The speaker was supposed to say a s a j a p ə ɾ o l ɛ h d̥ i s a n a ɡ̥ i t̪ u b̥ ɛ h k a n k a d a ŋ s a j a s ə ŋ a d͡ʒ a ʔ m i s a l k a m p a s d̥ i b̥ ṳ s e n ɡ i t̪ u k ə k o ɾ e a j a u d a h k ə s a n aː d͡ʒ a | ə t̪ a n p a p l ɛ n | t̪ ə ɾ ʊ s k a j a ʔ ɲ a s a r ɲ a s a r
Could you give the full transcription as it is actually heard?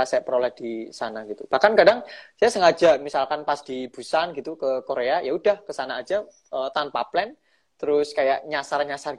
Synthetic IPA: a s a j a p ə ɾ o l ɛ h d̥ i s a n a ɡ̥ i t̪ u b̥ a h k a n k a d a ŋ s a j a s ə ŋ a d͡ʒ a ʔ m i s a l k a n p a s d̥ i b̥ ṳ s a n ɡ i t̪ u k ə k o ɾ e a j a u d a h k ə s a n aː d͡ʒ a | ə t̪ a n p a p l ɛ n | t̪ ə ɾ ʊ s k a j a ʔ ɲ a s a r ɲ a s a r